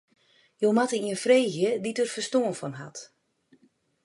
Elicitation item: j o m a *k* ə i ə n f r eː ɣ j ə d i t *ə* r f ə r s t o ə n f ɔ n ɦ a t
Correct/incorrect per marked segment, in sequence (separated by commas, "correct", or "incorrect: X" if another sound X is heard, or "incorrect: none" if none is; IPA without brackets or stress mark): incorrect: t, correct